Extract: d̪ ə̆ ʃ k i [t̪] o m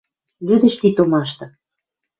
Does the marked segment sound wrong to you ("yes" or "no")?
no